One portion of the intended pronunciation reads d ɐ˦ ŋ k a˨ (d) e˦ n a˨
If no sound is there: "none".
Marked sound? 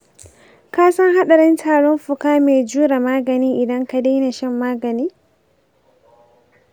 d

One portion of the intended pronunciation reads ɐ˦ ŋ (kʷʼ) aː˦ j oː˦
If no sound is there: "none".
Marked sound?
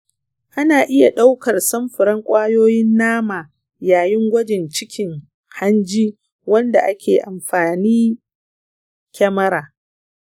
kʷʼ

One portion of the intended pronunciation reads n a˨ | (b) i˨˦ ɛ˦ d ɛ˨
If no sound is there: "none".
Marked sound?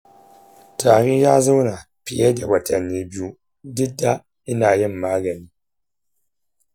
p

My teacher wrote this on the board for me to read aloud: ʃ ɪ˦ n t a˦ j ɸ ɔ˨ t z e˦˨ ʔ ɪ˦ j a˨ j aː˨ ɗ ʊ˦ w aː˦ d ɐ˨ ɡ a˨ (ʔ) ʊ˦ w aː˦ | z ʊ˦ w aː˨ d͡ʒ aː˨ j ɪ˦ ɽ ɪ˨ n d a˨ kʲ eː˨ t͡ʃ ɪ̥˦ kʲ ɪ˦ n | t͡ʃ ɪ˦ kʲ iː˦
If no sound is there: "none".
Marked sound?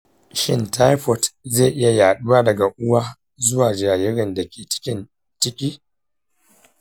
ʔ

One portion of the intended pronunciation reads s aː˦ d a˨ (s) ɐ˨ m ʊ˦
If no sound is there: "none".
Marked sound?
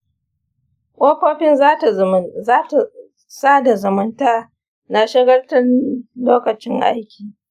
z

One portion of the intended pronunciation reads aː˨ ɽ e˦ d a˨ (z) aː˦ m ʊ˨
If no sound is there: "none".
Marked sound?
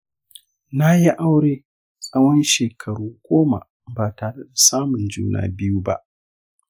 s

